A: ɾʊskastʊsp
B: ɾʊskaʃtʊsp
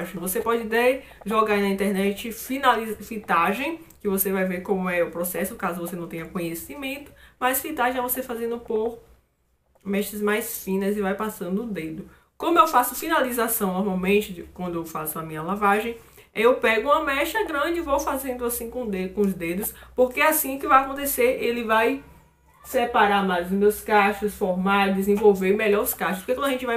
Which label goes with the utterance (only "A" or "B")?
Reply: B